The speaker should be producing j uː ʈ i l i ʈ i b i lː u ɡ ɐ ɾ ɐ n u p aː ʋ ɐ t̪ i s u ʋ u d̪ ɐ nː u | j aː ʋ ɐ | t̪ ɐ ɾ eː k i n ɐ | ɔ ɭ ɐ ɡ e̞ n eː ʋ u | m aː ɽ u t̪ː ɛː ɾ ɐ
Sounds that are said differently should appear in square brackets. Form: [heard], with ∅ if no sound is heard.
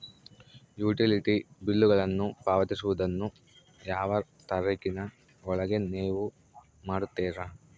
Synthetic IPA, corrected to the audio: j uː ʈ i l i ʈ i b i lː u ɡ ɐ [ɭ] ɐ [nː] u p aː ʋ ɐ t̪ i s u ʋ u d̪ ɐ nː u | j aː ʋ ɐ | t̪ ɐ ɾ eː k i n ɐ | ɔ ɭ ɐ ɡ e̞ n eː ʋ u | m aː ɽ u t̪ː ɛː ɾ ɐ